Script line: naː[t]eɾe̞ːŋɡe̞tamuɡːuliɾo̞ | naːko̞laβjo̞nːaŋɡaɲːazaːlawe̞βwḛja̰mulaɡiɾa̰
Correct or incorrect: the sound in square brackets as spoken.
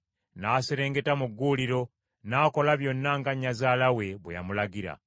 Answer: incorrect: s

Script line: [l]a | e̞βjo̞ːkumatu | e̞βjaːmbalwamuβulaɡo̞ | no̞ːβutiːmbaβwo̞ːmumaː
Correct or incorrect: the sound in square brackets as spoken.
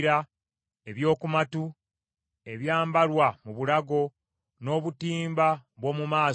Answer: incorrect: ɾ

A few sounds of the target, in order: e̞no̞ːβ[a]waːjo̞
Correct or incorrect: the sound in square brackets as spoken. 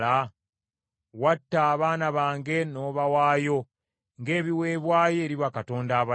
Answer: correct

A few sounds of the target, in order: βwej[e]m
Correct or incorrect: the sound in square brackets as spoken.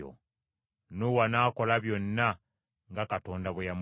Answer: incorrect: a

